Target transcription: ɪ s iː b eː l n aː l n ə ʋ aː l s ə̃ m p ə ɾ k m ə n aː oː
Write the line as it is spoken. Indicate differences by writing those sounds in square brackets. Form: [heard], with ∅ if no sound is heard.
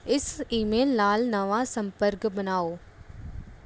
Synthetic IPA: ɪ s iː [m] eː l n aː l n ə ʋ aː [∅] s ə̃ m p ə ɾ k [b] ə n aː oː